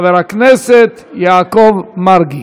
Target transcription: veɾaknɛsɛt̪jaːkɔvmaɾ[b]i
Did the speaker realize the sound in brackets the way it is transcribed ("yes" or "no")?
no